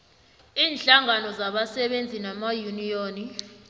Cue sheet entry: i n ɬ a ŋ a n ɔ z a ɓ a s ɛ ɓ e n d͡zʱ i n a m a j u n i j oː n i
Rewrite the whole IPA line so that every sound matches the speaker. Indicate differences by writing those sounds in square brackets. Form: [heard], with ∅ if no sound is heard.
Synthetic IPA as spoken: [iː] n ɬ a ŋ a n ɔ z a ɓ a s ɛ ɓ e n d͡zʱ i n a m a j u n i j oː n i